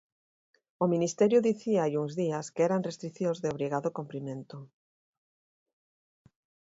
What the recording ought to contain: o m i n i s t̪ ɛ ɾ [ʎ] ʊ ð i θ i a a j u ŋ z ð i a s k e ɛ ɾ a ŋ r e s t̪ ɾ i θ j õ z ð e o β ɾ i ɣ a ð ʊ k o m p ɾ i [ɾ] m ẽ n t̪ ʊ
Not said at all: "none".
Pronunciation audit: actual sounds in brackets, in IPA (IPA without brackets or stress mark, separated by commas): j, none